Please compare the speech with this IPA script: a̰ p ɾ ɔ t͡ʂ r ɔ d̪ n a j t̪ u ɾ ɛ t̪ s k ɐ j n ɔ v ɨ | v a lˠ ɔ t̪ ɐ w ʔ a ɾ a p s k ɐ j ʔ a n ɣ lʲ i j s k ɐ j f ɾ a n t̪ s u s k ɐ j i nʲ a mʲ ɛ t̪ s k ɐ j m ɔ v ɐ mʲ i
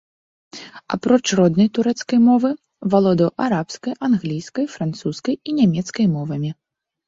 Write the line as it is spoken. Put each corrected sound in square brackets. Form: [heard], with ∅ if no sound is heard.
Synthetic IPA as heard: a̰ p ɾ ɔ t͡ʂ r ɔ d̪ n [ɐ] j t̪ u ɾ ɛ t̪ s k ɐ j [m] ɔ v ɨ | v a lˠ ɔ [d̪] ɐ w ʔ a ɾ a p s k ɐ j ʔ a n ɣ lʲ i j s k ɐ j f ɾ a n t̪ s u s k ɐ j i nʲ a mʲ ɛ t̪ s k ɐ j m ɔ v ɐ mʲ i